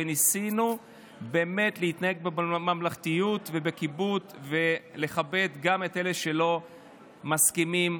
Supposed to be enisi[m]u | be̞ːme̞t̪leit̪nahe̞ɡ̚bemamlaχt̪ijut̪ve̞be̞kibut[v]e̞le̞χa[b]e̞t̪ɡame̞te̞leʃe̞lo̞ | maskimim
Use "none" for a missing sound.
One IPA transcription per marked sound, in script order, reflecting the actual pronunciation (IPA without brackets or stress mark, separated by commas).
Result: n, v, b